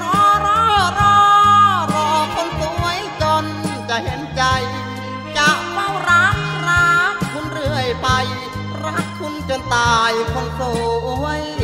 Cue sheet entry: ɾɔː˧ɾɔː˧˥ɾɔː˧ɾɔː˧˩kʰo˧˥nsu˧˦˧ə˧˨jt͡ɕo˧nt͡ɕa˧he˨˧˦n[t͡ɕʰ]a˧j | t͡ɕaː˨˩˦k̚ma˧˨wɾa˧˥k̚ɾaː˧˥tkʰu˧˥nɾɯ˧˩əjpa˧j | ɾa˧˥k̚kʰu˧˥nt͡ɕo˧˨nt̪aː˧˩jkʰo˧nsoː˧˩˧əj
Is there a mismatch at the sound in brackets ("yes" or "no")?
yes